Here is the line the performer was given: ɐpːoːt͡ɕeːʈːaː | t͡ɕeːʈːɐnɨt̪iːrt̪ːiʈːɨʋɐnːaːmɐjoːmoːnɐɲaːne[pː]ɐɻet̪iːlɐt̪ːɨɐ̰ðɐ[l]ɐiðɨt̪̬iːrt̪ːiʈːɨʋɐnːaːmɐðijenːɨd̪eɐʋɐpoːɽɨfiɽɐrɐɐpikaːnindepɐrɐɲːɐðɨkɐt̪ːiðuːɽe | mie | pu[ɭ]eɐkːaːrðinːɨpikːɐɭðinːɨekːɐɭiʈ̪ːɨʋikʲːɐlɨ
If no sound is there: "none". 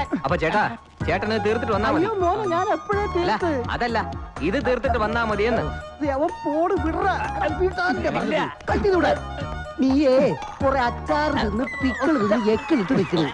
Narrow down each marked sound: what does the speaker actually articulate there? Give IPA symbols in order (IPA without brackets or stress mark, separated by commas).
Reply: pː, lː, r